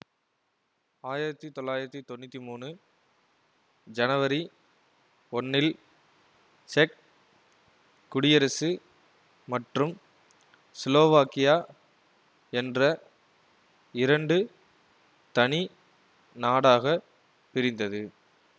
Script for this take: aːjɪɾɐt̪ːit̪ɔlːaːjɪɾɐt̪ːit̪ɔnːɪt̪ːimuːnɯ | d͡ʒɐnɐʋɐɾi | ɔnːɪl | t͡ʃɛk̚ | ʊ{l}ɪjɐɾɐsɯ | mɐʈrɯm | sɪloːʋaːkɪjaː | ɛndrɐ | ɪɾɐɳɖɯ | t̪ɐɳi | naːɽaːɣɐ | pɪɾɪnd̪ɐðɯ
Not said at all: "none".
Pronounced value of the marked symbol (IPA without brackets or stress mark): ɽ